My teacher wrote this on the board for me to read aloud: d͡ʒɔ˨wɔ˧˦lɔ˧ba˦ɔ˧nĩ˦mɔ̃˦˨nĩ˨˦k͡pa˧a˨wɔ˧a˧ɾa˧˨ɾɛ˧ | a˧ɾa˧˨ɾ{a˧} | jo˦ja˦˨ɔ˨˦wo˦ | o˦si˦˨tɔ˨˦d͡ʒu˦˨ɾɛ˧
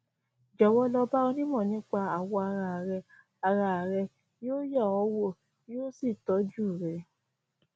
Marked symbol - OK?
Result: no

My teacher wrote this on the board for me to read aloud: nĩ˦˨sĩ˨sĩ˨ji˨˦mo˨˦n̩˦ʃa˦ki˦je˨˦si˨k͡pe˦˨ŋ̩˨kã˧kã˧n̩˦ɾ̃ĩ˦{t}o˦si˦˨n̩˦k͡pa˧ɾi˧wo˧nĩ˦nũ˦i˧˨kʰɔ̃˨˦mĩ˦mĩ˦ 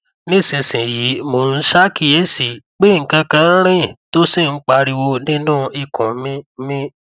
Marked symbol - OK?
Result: yes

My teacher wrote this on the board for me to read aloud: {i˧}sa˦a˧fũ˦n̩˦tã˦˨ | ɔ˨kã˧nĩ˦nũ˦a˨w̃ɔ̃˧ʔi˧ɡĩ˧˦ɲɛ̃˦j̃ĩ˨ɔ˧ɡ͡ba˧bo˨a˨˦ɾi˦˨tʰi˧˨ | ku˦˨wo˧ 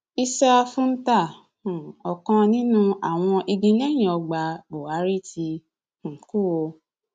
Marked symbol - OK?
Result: yes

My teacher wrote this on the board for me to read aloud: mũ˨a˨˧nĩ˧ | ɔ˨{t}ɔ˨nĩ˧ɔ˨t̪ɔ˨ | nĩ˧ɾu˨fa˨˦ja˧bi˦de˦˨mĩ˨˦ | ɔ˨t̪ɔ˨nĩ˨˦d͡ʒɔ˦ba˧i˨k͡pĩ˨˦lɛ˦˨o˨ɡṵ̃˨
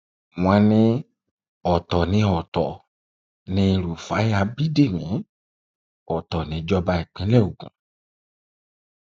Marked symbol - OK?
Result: yes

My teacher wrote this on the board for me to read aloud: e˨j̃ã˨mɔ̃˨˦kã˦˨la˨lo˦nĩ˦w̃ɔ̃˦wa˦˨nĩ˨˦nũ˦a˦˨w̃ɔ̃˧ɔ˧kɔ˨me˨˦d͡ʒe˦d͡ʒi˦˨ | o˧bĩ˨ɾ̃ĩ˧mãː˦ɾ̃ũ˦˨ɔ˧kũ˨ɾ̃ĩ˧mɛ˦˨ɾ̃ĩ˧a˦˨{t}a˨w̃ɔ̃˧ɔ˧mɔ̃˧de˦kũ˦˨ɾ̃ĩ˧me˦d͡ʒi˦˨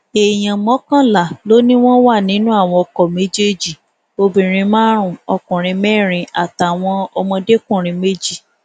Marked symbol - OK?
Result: yes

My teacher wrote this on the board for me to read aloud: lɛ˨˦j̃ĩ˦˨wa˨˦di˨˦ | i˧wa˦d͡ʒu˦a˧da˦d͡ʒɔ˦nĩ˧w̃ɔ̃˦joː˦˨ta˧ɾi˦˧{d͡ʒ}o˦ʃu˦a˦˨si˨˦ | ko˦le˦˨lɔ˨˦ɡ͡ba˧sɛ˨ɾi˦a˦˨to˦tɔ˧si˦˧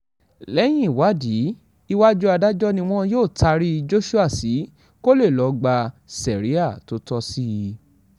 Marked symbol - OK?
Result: yes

